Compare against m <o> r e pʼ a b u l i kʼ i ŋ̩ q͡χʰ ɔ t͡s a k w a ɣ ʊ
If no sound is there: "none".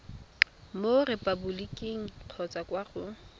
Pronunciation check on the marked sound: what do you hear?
o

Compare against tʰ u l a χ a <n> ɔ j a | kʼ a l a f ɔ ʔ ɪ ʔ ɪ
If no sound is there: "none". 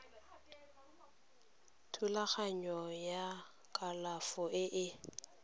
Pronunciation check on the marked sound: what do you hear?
ɲ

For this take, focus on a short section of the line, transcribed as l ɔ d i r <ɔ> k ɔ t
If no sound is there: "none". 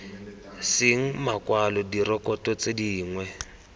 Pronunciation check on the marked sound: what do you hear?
ɔ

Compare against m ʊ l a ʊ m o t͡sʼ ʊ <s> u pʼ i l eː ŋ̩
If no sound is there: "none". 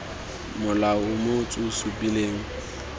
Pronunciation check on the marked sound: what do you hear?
s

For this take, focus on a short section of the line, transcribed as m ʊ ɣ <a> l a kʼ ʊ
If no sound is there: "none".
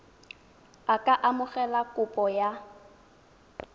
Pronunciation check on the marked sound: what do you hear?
ɛ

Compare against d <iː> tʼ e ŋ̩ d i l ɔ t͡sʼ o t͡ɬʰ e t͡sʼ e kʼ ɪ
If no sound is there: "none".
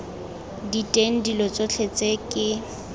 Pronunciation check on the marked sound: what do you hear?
i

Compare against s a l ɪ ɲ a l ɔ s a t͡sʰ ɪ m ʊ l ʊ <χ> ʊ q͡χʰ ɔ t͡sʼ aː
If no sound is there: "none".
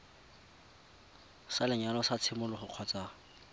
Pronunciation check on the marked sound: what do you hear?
χ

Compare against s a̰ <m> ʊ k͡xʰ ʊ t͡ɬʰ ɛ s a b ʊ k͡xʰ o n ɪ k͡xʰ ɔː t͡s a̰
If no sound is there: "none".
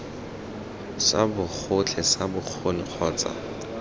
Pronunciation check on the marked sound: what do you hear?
b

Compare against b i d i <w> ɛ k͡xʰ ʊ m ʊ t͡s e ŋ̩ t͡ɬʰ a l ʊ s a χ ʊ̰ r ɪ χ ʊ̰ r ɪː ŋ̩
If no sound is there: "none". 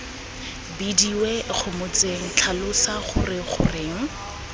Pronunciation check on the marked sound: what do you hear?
w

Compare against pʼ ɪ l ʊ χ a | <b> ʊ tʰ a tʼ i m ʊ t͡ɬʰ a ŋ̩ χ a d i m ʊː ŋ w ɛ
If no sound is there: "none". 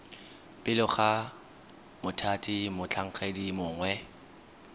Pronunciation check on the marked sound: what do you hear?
m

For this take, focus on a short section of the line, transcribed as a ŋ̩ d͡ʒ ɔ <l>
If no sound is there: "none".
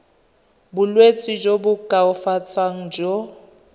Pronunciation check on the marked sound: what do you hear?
none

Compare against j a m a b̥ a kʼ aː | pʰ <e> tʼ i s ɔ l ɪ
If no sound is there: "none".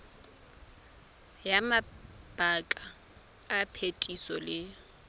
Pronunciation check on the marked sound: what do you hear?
e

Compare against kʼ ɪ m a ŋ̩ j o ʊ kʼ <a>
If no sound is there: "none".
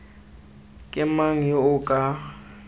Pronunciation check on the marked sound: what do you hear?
a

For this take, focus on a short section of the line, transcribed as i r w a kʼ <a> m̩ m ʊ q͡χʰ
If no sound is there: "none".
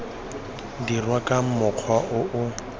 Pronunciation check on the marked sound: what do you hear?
a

